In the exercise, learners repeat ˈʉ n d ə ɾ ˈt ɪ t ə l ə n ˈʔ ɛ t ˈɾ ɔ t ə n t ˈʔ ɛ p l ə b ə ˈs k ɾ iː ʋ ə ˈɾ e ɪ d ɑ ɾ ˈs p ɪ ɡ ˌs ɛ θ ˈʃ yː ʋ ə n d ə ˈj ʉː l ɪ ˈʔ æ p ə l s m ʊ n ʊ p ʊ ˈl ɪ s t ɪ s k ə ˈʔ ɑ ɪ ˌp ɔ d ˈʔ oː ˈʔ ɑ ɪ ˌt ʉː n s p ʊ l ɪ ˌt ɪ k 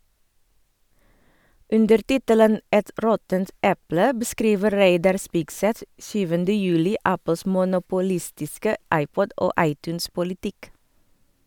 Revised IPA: ˈʉ n d ə ɾ ˈt ɪ t ə l ə n ˈʔ ɛ t ˈɾ ɔ t ə n t ˈʔ ɛ p l ə b ə ˈs k ɾ iː ʋ ə ˈɾ e ɪ d ɑ ɾ ˈs p ɪ ɡ ˌs ɛ θ ˈʃ yː ʋ ə n d ə ˈj ʉː l ɪ ˈʔ æ p ə l s m ʊ n ʊ p ʊ ˈl ɪ s t ɪ s k ə ˈʔ ɑ ɪ ˌp ɔ d ˈʔ oː ˈʔ ɑ ɪ ˌt ʉː n s p ʊ l ɪ ˌt ɪ k

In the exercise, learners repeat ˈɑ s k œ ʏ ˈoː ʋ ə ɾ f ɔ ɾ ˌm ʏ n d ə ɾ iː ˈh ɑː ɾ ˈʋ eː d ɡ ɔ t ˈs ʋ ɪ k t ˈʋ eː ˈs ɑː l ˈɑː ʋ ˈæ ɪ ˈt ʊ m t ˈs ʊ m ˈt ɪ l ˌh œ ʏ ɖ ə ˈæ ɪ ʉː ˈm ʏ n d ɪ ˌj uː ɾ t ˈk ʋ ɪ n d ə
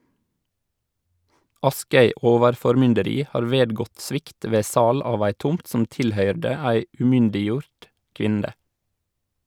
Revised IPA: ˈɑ s k œ ʏ ˈoː ʋ ə ɾ f ɔ ɾ ˌm ʏ n d ə ɾ iː ˈh ɑː ɾ ˈʋ eː d ɡ ɔ t ˈs ʋ ɪ k t ˈʋ eː ˈs ɑː l ˈɑː ʋ ˈæ ɪ ˈt ʊ m t ˈs ʊ m ˈt ɪ l ˌh œ ʏ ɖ ə ˈæ ɪ ʉː ˈm ʏ n d ɪ ˌj uː ɾ t ˈk ʋ ɪ n d ə

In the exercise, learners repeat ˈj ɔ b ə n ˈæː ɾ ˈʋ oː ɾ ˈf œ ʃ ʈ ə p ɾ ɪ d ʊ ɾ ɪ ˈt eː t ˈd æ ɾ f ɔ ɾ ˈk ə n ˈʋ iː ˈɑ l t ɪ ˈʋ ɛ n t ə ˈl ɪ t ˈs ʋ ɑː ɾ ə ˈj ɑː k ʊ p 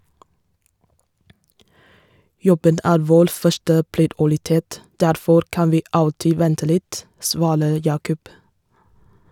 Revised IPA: ˈj ɔ b ə n ˈæː ɾ ˈʋ oː ɾ ˈf œ ʃ ʈ ə p ɾ ɪ d ʊ ɾ ɪ ˈt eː t ˈd æ ɾ f ɔ ɾ ˈk ɑ n ˈʋ iː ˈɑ l t ɪ ˈʋ ɛ n t ə ˈl ɪ t ˈs ʋ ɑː ɾ ə ˈj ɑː k ʊ p

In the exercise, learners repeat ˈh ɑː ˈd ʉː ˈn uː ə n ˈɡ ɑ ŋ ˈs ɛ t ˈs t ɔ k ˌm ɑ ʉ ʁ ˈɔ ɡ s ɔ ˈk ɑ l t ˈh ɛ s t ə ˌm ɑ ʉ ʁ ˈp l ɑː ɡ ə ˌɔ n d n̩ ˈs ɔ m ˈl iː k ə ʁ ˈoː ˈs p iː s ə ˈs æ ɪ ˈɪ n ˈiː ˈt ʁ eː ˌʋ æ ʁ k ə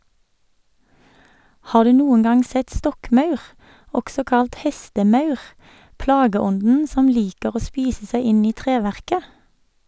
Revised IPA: ˈh ɑː ˈd ʉː ˈn uː ə n ˈɡ ɑ ŋ ˈs ɛ t ˈs t ɔ k ˌm ɑ ʉ ʁ ˈɔ ɡ s ɔ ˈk ɑ l t ˈh ɛ s t ə ˌm ɑ ʉ ʁ ˈp l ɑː ɡ ə ˌɔ n d n̩ ˈs ɔ m ˈl iː k ə ʁ ˈoː ˈs p iː s ə ˈs æ ɪ ˈɪ n ˈiː ˈt ʁ eː ˌʋ æ ʁ k ə

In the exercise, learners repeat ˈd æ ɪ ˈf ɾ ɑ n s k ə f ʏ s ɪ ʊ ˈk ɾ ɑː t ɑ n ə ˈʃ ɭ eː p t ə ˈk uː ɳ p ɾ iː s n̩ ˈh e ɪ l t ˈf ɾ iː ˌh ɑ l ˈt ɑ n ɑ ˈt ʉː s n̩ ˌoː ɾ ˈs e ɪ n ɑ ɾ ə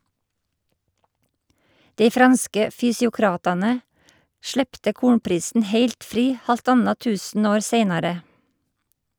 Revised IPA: ˈd e ɪ ˈf ɾ ɑ n s k ə f ʏ s ɪ ʊ ˈk ɾ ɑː t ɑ n ə ˈʃ ɭ eː p t ə ˈk uː ɳ p ɾ iː s n̩ ˈh e ɪ l t ˈf ɾ iː ˌh ɑ l ˈt ɑ n ɑ ˈt ʉː s n̩ ˌoː ɾ ˈs e ɪ n ɑ ɾ ə

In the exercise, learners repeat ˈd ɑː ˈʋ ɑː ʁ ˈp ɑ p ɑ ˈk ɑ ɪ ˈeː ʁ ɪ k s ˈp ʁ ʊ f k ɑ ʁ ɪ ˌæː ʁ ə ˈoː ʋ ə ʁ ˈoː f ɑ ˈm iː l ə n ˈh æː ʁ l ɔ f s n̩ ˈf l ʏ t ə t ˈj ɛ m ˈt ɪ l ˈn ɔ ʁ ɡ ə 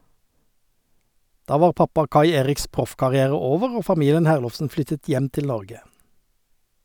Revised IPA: ˈd ɑː ˈʋ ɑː ʁ ˈp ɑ p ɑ ˈk ɑ ɪ ˈeː ʁ ɪ k s ˈp ʁ ʊ f k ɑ ʁ ɪ ˌæː ʁ ə ˈoː ʋ ə ʁ ˈoː f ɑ ˈm iː l ə n ˈh æː ʁ l ɔ f s n̩ ˈf l ʏ t ə t ˈj ɛ m ˈt ɪ l ˈn ɔ ʁ ɡ ə

